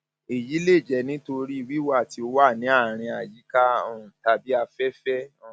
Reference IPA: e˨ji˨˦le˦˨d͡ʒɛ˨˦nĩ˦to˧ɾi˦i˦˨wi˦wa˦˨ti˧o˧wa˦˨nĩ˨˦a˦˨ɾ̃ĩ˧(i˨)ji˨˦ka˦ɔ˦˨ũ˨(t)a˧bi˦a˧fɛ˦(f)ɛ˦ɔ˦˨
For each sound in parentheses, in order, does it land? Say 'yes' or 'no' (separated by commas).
no, yes, yes